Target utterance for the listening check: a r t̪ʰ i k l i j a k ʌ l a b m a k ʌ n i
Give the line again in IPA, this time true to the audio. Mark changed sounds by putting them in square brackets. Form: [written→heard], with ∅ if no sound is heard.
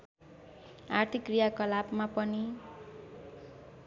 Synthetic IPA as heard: a r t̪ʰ i k [l→r] i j a k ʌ l a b m a [k→p] ʌ n i